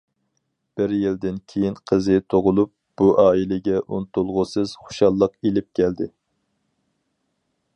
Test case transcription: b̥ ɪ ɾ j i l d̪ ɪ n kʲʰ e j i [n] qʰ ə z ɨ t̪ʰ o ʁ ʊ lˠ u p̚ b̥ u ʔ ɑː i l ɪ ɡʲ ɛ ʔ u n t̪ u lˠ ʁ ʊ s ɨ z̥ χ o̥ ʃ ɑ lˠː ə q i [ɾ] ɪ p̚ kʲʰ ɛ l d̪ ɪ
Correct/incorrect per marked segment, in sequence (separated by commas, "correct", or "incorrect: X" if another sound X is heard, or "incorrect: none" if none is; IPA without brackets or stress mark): correct, incorrect: l